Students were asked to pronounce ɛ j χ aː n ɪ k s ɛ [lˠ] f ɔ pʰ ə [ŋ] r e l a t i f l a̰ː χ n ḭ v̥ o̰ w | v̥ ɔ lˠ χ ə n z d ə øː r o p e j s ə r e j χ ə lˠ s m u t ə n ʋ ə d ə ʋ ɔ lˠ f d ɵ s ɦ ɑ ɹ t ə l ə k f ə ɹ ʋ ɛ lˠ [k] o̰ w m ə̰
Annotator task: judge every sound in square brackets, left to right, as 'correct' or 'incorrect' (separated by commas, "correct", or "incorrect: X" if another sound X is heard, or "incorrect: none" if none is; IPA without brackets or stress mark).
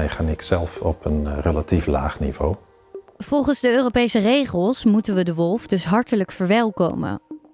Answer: correct, incorrect: n, correct